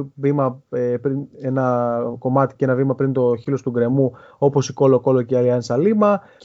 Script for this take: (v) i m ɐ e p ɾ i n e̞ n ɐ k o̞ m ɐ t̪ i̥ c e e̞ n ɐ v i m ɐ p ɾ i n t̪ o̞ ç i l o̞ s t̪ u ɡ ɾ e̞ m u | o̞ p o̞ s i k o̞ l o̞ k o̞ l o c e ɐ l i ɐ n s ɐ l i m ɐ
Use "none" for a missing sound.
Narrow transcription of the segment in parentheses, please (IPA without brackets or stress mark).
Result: v